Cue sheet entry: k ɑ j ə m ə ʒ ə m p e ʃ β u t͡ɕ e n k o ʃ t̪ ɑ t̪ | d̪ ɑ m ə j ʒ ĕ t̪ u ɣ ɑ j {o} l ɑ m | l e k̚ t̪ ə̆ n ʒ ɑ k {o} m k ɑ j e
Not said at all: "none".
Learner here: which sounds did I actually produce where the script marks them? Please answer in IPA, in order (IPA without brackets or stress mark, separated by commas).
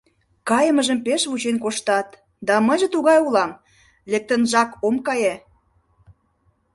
u, o